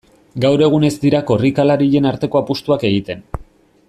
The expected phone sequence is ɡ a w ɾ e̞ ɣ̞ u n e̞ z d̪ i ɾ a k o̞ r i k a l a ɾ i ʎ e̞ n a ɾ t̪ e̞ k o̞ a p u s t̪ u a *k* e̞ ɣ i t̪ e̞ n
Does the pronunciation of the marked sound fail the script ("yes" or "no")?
no